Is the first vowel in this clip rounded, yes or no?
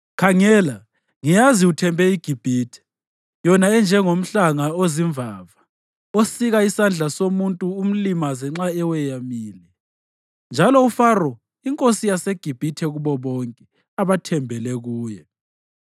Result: no